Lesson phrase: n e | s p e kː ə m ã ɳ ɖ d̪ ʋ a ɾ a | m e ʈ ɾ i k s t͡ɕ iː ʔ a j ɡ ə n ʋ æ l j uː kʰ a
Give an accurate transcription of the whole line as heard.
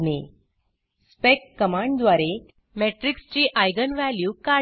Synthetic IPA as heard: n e | s p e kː ə m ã ɳ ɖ d̪ ʋ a ɾ e | m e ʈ ɾ i k s t͡ɕ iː ʔ a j ɡ ə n ʋ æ l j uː k a